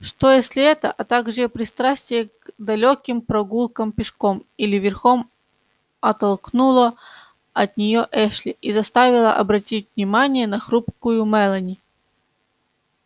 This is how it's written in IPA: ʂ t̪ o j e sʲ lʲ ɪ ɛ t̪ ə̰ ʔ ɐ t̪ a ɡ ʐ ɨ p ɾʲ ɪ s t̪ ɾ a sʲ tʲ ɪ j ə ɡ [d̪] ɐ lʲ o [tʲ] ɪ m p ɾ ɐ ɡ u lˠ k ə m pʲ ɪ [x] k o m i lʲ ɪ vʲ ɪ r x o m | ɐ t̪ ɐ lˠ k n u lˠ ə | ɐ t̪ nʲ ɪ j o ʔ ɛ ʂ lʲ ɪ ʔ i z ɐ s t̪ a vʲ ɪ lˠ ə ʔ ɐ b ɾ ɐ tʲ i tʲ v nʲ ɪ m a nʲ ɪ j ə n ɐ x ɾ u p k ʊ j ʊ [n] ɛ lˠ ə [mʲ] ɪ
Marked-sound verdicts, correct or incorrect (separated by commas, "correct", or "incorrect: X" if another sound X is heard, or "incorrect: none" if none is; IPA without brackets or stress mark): correct, incorrect: kʲ, incorrect: ʂ, incorrect: m, incorrect: nʲ